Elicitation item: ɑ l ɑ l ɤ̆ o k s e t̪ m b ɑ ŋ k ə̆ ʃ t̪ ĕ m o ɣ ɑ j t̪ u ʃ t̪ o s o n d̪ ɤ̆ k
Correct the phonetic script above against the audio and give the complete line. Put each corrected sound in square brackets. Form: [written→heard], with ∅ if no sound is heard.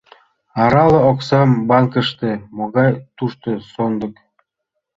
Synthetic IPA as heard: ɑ [l→ɾ] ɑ l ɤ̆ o k s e [t̪→∅] m b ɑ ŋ k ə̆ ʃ t̪ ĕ m o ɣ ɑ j t̪ u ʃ t̪ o s o n d̪ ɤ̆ k